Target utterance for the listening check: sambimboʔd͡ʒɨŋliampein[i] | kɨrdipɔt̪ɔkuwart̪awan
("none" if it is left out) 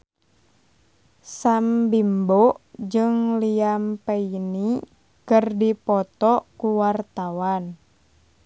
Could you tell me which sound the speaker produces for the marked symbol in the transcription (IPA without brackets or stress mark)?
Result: i